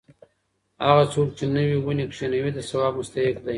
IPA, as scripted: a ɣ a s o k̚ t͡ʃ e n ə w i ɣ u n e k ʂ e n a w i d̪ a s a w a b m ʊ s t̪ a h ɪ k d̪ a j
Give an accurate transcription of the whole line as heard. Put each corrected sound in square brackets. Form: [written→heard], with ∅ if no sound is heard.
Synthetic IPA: a ɣ a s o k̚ t͡ʃ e n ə w i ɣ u n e k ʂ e n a w i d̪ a s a w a b m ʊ s t̪ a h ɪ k d̪ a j